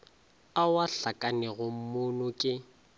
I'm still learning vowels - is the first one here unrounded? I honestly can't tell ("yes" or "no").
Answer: yes